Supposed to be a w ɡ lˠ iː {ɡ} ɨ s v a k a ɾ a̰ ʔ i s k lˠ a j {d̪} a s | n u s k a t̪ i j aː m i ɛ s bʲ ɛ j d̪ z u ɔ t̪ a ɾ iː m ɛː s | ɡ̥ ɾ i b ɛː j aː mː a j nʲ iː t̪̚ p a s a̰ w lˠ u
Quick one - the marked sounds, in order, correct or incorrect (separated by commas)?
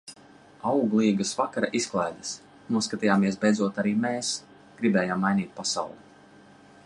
correct, correct